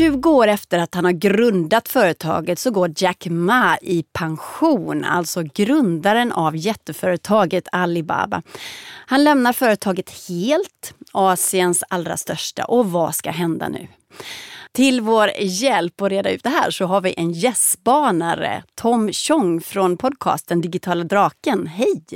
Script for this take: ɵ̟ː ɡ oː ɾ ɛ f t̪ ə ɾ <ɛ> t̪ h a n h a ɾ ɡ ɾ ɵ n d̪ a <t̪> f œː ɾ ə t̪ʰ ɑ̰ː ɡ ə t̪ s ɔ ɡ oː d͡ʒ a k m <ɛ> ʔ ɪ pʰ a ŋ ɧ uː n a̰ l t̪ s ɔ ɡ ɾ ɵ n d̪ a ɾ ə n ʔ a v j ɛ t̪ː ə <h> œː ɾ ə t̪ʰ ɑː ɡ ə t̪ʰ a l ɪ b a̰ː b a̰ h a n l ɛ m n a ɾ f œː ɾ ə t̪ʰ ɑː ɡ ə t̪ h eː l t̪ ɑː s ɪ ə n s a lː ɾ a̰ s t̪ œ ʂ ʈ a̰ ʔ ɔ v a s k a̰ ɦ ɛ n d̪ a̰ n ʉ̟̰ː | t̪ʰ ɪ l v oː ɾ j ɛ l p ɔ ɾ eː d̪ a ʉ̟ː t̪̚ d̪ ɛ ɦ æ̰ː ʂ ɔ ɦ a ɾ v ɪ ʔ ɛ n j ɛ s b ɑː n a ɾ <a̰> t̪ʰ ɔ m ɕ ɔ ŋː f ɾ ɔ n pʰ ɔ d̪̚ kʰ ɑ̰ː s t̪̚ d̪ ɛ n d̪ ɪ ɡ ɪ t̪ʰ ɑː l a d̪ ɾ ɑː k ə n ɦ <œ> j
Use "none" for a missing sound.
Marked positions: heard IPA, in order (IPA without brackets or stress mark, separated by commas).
a, t̪, a, f, ə̰, ɛ